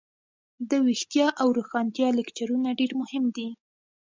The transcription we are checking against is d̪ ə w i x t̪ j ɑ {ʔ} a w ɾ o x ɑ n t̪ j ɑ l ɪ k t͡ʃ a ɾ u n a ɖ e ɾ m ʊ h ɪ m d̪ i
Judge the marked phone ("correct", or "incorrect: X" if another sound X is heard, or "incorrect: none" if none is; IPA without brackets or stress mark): correct